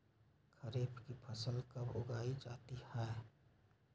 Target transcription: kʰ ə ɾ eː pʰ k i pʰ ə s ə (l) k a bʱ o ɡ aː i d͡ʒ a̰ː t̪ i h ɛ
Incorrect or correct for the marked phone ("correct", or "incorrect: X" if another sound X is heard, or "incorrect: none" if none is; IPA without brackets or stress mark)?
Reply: correct